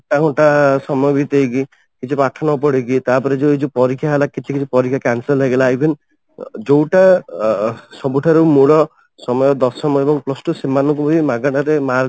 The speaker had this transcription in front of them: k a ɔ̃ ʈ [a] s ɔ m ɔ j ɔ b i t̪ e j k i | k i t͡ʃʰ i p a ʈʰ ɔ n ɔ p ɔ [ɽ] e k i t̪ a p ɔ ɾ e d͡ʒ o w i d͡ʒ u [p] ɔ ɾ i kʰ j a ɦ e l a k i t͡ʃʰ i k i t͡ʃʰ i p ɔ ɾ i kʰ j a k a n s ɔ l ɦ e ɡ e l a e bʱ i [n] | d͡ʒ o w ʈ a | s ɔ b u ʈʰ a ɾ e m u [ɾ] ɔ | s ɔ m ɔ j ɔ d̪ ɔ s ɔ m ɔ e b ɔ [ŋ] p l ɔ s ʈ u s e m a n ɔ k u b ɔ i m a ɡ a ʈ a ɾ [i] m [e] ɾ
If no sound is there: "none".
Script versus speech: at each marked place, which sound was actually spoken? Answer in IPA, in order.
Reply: a, ɽ, p, n, ɭ, ŋ, e, a

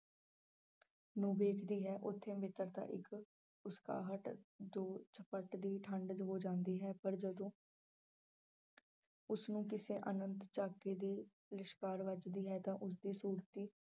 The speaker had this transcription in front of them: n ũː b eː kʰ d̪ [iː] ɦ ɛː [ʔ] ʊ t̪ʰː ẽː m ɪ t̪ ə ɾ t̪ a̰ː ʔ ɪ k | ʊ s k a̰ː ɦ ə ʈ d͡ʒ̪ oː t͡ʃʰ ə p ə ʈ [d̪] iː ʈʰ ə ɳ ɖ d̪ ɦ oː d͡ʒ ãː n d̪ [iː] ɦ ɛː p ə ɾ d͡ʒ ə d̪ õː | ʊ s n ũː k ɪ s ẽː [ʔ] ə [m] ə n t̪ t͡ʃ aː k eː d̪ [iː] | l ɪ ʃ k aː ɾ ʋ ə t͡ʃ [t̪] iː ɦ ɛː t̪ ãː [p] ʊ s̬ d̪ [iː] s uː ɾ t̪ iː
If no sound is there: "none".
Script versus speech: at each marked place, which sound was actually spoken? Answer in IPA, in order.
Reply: iː, ʔ, d̪, iː, ʔ, n, iː, d̪, ʔ, iː

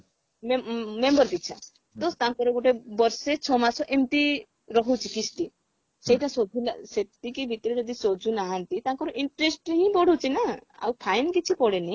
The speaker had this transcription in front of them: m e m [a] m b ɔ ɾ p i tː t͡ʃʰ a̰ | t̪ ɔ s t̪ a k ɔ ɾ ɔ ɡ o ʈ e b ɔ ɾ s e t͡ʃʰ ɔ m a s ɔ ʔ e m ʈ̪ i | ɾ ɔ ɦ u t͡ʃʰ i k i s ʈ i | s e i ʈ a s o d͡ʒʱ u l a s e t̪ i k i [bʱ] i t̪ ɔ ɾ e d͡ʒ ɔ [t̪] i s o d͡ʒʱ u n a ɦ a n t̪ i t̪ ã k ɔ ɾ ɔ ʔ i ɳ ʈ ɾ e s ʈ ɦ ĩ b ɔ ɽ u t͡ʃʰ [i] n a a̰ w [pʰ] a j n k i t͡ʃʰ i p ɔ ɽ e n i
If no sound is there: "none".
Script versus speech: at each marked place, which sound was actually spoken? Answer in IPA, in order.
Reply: e, bʱ, d̪, i, pʰ

